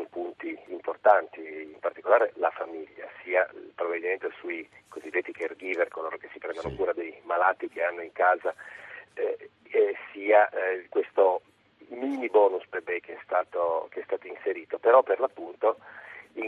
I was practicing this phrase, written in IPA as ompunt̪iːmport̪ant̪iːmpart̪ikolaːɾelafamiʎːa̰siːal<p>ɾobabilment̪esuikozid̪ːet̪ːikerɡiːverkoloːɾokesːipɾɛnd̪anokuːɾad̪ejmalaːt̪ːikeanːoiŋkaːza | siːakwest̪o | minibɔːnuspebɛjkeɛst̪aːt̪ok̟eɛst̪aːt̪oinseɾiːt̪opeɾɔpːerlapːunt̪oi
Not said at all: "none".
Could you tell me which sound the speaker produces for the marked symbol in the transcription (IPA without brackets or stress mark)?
p